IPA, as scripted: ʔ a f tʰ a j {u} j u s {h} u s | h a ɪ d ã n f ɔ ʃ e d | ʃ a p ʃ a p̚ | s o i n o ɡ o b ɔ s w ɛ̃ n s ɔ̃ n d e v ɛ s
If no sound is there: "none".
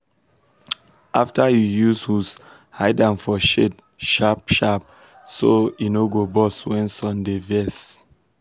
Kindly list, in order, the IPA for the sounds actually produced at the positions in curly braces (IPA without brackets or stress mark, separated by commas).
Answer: u, h